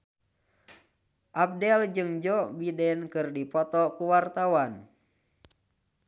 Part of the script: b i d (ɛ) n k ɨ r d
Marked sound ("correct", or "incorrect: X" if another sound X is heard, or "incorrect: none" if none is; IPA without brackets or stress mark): correct